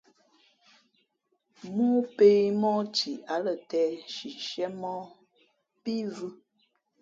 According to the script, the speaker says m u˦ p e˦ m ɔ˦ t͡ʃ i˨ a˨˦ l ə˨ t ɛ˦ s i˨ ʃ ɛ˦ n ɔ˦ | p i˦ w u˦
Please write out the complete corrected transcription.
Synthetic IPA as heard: m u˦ p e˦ m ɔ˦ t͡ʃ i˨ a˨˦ l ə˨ t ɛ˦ ʃ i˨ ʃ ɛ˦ m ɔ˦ | p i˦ v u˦

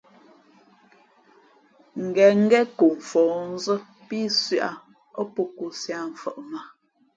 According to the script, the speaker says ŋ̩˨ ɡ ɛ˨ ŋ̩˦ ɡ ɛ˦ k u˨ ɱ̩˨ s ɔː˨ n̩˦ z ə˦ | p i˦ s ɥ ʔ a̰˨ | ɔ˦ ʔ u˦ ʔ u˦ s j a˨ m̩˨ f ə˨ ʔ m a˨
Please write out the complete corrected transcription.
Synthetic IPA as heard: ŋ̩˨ ɡ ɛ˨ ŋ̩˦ ɡ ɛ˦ k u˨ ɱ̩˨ f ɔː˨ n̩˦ z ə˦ | p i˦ s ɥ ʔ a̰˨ | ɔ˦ p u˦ k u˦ s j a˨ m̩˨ f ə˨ ʔ m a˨

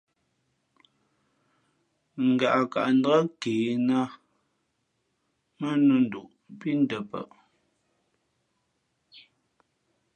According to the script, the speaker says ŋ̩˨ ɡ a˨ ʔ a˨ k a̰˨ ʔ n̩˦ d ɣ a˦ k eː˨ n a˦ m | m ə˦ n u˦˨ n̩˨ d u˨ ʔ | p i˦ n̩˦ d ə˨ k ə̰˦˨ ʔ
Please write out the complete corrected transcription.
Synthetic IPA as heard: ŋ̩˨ ɡ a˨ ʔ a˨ k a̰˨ ʔ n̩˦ d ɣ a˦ k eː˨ n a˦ | m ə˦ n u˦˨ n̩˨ d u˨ ʔ | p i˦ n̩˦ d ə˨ p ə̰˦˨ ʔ

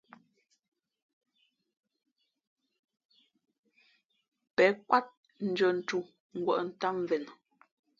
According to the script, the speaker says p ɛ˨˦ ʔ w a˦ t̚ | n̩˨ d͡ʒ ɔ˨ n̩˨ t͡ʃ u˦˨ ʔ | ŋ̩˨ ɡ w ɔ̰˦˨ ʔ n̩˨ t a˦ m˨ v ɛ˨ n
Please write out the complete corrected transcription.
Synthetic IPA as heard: p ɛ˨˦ k w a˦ t̚ | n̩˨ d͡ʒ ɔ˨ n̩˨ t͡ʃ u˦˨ | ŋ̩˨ ɡ w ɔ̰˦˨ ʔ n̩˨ t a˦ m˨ v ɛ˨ n

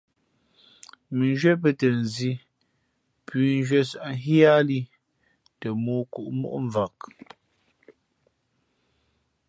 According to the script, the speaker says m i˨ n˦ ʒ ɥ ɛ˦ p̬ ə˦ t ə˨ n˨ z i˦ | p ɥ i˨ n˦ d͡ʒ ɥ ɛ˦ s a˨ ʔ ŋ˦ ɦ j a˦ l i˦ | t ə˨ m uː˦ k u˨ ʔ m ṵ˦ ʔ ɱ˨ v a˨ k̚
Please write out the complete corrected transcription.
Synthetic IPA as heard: m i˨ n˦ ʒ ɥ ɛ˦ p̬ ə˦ t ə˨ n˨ z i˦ | p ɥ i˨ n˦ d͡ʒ ɥ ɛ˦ s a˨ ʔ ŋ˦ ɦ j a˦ l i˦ | t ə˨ m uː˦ k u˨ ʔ m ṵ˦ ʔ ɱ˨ v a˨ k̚

